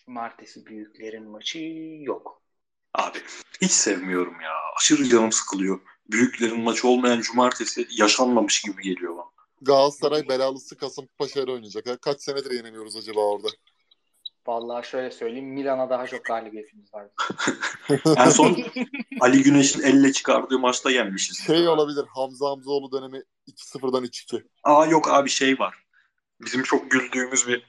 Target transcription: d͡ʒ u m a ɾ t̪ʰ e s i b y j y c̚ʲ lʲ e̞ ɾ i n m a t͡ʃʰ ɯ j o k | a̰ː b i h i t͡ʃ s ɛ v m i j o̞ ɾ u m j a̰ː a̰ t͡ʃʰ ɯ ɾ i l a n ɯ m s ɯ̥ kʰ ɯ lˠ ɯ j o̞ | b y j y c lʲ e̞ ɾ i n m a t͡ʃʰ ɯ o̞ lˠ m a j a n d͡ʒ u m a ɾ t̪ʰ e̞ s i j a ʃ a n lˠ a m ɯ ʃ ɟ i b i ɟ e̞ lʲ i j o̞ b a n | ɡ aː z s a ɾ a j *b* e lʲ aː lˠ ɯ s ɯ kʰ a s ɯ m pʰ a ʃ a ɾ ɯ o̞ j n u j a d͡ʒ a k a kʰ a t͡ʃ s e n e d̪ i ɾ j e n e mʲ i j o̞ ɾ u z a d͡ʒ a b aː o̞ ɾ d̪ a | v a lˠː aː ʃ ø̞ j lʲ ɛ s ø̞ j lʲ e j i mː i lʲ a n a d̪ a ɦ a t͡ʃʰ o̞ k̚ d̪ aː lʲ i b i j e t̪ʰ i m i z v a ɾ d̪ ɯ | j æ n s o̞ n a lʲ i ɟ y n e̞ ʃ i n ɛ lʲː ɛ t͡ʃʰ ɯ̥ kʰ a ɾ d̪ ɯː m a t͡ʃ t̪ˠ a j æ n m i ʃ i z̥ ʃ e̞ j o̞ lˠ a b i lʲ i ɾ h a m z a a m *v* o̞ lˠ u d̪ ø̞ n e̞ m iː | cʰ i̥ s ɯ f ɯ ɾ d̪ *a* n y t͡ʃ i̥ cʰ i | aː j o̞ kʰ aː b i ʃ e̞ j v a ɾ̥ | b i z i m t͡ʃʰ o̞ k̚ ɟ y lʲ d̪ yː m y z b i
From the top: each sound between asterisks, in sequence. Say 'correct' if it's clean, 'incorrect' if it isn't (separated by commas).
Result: correct, incorrect, correct